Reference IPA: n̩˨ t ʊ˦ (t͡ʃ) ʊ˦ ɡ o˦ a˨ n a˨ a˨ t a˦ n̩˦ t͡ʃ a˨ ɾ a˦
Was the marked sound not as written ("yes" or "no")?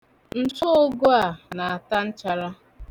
yes